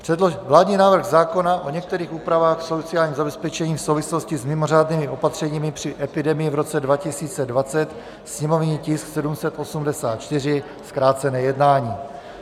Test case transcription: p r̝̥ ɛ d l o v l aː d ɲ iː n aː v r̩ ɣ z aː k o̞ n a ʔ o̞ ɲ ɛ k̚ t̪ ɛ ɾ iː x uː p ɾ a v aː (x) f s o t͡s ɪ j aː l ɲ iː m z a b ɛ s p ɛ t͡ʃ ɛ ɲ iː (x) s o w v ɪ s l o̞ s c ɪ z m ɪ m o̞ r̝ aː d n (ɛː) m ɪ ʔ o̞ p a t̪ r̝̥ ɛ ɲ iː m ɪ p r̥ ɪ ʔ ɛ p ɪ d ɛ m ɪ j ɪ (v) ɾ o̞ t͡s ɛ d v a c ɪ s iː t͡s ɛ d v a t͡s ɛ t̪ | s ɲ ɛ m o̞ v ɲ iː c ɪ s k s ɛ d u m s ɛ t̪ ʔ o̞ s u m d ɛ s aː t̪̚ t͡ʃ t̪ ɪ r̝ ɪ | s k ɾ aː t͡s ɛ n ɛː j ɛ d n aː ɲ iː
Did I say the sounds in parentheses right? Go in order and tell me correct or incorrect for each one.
correct, incorrect: f, incorrect: iː, correct

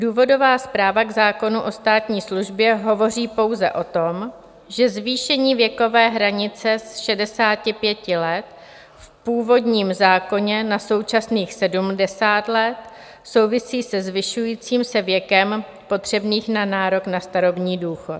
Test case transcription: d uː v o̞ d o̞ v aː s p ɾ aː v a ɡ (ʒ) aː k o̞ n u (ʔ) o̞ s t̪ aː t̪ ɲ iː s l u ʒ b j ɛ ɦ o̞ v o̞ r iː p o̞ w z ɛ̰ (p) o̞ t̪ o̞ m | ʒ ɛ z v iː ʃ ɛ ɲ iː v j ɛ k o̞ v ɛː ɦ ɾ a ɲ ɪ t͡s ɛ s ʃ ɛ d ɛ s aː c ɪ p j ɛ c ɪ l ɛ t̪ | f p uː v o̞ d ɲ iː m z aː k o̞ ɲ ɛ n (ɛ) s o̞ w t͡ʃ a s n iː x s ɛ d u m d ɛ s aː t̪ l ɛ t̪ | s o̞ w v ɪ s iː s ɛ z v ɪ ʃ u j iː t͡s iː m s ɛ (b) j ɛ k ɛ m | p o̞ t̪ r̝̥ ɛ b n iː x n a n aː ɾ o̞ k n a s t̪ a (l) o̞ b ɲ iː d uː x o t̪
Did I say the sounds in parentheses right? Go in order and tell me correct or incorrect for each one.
incorrect: z, correct, incorrect: ʔ, incorrect: a, incorrect: v, incorrect: ɾ

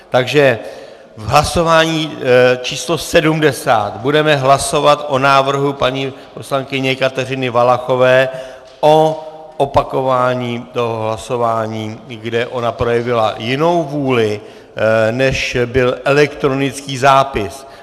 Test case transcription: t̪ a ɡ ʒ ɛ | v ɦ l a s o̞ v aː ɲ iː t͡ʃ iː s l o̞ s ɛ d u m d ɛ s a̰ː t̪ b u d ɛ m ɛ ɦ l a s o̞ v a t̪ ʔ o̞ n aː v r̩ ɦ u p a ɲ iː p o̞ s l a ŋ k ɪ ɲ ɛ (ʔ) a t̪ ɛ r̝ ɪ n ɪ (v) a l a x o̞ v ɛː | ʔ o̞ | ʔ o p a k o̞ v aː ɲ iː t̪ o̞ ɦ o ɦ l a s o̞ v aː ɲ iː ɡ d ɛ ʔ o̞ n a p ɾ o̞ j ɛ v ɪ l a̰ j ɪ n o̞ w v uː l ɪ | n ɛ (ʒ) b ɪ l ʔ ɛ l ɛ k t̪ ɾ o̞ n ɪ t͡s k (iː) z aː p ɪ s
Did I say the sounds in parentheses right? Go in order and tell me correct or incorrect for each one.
incorrect: k, correct, incorrect: ʃ, correct

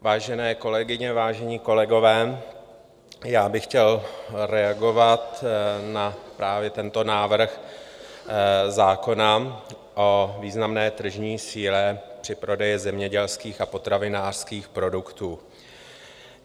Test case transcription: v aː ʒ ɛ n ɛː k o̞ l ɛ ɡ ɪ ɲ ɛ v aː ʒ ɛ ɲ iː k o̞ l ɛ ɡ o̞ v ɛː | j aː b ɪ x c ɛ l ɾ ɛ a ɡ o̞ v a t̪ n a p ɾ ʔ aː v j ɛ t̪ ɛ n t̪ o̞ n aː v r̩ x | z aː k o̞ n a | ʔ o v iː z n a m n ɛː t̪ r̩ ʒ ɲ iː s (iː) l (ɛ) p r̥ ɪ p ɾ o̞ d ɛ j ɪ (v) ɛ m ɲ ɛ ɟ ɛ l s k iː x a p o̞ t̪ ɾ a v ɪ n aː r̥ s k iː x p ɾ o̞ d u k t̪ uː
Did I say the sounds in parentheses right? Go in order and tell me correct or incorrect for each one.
correct, correct, incorrect: z

